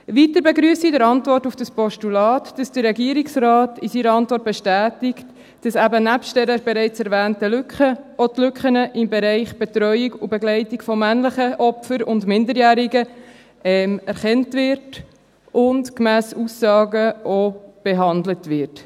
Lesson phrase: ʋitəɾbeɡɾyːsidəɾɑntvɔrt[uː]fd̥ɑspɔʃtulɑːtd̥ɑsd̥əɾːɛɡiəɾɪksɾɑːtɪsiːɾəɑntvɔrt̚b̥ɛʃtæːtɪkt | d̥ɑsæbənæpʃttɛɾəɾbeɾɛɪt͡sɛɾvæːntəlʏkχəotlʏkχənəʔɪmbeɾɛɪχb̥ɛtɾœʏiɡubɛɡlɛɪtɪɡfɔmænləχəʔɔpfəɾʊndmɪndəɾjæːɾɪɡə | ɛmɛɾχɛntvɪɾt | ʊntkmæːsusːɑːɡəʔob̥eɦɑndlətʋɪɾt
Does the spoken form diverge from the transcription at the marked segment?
yes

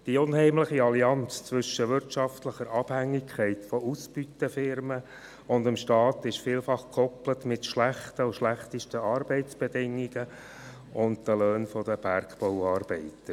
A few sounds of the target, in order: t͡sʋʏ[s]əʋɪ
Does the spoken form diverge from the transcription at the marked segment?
yes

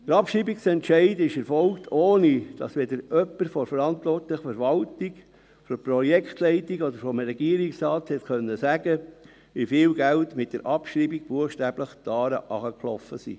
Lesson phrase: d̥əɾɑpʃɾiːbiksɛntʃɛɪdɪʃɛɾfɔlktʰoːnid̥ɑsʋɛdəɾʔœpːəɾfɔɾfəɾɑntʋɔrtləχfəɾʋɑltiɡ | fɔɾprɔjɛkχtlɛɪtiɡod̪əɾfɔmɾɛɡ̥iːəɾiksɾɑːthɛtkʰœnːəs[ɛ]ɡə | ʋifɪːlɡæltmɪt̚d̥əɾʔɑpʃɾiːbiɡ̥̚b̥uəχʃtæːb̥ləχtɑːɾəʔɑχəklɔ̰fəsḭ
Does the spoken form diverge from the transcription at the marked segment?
yes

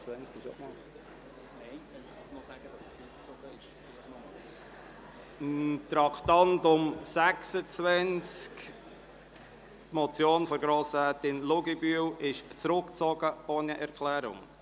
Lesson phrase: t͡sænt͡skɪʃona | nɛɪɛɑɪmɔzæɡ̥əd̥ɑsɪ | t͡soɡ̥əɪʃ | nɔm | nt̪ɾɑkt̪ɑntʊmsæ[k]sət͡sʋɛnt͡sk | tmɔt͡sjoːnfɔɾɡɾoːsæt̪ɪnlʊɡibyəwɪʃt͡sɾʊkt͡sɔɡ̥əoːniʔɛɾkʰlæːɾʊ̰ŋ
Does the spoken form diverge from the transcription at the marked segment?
no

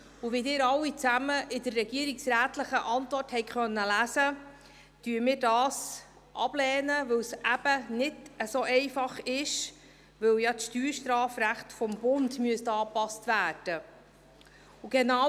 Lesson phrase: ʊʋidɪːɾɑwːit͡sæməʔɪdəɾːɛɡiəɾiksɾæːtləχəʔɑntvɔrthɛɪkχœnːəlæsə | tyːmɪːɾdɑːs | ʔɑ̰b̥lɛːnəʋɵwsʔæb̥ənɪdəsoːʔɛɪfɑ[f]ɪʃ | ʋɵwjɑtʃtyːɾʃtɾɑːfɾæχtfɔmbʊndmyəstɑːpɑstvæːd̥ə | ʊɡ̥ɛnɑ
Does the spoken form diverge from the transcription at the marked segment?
yes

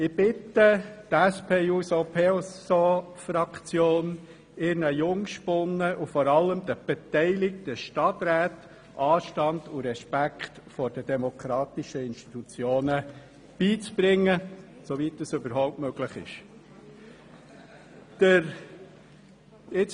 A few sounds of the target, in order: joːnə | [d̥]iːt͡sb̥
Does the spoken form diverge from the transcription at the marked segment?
yes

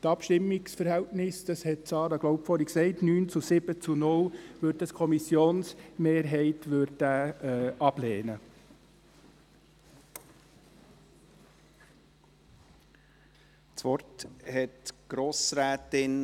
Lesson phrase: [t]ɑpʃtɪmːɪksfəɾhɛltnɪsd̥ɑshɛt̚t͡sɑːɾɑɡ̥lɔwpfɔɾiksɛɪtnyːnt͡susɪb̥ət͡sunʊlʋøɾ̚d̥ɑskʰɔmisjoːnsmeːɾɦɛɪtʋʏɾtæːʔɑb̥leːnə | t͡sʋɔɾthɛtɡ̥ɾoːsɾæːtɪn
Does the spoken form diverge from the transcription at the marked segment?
no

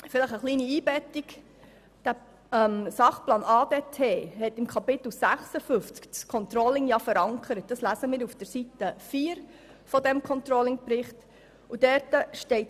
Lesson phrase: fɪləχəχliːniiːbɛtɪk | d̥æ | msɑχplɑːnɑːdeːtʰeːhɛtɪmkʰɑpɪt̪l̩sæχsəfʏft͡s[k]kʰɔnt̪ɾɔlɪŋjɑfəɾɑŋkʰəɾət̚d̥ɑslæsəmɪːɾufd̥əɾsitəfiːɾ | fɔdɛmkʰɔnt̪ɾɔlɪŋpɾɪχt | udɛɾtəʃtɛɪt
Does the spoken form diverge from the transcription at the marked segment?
no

